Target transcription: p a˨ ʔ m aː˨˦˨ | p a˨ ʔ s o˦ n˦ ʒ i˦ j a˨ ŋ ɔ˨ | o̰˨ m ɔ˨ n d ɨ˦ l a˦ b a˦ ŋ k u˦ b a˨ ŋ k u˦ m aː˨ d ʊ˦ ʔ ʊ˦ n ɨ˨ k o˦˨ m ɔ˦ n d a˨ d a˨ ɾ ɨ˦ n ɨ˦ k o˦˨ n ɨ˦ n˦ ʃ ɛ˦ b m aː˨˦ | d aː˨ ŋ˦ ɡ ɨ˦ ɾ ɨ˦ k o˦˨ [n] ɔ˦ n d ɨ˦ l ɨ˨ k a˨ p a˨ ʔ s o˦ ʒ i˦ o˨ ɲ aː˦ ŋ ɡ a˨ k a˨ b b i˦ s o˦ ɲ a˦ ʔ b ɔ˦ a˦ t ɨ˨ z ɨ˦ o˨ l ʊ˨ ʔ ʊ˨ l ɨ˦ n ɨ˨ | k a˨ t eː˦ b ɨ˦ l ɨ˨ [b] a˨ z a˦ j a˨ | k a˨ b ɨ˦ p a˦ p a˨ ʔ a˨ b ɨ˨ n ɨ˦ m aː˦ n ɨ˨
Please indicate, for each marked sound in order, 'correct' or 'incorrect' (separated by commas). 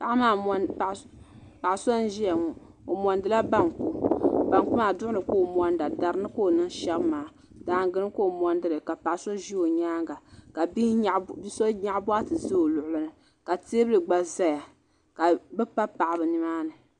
incorrect, incorrect